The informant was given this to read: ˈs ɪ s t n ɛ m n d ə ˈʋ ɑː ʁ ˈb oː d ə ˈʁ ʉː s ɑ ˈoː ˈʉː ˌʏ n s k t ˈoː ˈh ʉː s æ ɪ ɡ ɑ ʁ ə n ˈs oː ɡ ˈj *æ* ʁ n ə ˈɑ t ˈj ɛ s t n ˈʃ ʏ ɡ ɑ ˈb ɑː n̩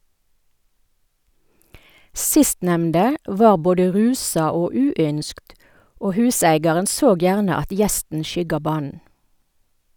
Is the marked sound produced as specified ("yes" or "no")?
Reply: no